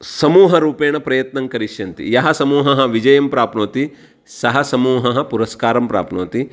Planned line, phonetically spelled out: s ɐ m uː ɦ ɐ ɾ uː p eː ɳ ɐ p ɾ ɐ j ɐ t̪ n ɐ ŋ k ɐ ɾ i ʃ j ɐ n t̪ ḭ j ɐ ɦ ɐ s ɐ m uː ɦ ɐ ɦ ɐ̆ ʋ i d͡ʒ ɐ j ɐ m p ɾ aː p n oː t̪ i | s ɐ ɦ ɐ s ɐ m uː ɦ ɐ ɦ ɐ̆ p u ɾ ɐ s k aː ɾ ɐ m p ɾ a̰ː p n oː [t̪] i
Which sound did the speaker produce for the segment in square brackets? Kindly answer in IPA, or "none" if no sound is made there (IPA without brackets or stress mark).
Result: t̪